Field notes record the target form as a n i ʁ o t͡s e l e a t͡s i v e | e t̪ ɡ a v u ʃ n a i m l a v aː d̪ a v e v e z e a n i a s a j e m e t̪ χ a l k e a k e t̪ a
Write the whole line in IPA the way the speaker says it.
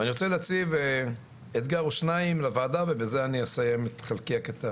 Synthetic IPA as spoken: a n i ʁ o t͡s e l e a t͡s i v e | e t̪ ɡ a ʁ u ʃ n a i m l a v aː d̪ a v e b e z e a n i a s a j e m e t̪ χ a l k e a k e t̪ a